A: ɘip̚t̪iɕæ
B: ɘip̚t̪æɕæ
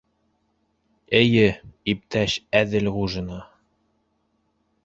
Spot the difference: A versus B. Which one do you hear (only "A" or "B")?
B